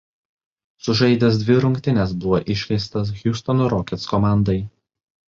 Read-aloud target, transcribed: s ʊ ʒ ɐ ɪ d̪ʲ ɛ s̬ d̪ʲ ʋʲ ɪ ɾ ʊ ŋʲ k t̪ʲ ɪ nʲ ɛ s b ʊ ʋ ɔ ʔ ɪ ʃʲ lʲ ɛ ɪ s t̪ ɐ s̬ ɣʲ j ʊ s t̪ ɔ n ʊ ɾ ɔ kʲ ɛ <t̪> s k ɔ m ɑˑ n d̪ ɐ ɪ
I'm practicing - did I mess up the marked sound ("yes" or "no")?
no